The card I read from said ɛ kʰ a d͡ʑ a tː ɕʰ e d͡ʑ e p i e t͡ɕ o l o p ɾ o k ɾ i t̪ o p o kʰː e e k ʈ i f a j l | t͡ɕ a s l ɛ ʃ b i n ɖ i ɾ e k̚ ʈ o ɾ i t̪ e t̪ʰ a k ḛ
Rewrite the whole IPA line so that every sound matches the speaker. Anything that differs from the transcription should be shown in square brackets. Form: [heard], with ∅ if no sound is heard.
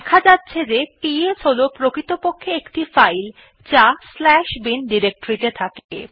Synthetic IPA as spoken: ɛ kʰ a d͡ʑ a tː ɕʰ e d͡ʑ e p i e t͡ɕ o l o p ɾ o k ɾ i t̪ o p o kʰː e e k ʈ i f a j l | t͡ɕ a s l ɛ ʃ b i n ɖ i ɾ e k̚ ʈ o ɾ i t̪ e t̪ʰ a k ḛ